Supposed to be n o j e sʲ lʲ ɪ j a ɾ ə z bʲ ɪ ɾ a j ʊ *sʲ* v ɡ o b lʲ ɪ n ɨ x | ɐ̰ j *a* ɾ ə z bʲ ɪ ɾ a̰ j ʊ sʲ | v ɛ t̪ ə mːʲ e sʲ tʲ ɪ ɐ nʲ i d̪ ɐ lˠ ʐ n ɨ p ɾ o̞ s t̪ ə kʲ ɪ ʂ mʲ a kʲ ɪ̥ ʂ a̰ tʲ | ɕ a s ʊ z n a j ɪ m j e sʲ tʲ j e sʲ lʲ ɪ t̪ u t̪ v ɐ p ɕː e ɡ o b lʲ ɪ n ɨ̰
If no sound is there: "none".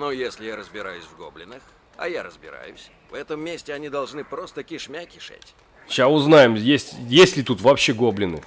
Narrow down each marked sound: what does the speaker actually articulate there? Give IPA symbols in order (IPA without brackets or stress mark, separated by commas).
sʲ, a